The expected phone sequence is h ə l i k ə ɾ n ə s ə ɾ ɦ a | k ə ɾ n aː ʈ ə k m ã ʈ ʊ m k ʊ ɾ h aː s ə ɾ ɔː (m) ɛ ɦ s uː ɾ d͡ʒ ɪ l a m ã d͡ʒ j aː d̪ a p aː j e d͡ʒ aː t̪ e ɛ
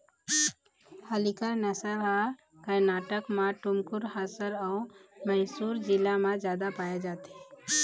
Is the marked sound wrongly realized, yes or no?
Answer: no